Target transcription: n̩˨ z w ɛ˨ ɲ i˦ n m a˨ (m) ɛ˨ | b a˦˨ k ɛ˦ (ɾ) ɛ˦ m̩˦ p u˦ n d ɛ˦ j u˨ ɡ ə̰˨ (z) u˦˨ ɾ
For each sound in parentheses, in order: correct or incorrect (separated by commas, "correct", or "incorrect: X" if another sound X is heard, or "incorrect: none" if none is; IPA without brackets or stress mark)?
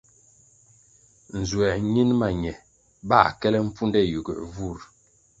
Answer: incorrect: ɲ, incorrect: l, incorrect: v